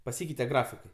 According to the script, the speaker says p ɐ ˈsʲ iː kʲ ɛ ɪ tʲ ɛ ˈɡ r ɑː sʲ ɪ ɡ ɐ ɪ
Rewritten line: p ɐ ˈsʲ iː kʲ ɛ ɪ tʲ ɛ ˈɡ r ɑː fʲ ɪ k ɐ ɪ